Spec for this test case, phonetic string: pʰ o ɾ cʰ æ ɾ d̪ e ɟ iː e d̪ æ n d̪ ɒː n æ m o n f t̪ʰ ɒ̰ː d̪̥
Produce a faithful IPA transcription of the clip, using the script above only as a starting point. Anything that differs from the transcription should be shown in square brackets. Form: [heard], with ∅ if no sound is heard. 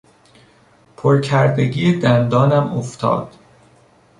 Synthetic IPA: pʰ o ɾ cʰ æ ɾ d̪ e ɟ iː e d̪ æ n d̪ ɒː n æ m o [∅] f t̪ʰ ɒ̰ː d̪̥